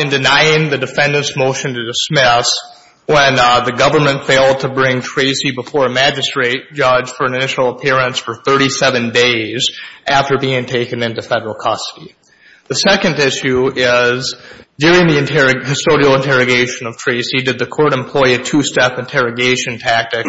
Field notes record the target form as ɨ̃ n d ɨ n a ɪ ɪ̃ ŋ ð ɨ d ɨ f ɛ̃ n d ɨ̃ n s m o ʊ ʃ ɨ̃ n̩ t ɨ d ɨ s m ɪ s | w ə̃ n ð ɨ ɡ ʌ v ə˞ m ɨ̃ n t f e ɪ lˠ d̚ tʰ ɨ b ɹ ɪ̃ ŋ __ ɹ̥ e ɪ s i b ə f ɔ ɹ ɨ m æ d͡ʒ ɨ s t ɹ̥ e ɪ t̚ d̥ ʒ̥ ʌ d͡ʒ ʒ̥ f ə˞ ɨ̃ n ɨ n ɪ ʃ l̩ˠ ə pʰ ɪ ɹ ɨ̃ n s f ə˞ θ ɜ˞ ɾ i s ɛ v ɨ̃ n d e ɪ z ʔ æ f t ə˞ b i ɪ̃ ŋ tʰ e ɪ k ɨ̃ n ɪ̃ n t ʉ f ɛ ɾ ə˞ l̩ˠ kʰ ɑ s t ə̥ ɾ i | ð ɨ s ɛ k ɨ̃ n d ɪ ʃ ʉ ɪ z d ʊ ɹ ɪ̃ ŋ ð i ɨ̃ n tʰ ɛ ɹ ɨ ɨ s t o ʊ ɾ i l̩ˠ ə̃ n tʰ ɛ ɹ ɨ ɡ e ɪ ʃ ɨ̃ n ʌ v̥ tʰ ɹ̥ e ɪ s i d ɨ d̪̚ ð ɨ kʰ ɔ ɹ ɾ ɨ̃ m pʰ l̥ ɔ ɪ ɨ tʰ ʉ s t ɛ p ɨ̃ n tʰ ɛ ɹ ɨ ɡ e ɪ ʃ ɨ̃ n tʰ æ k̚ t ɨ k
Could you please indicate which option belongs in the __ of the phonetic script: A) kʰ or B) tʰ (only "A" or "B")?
B